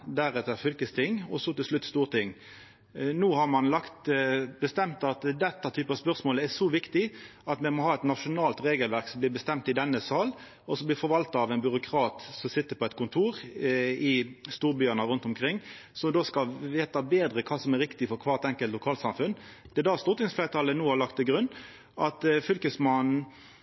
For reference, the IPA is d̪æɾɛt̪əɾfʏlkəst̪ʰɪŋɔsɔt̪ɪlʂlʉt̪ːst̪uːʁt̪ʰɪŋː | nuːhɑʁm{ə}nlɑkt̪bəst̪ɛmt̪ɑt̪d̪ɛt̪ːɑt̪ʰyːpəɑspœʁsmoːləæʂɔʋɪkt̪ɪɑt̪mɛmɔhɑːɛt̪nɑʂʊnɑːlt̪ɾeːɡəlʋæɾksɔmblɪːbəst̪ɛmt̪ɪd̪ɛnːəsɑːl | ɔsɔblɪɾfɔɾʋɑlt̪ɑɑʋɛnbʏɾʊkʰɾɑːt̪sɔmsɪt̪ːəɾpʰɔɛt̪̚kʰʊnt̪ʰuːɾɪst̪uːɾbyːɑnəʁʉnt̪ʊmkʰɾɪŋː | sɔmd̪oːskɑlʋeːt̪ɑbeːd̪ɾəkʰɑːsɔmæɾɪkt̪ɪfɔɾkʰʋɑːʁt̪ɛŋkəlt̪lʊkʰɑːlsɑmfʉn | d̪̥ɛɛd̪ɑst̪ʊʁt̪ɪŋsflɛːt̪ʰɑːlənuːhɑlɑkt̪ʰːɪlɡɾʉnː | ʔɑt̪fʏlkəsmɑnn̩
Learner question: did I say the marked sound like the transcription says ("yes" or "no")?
no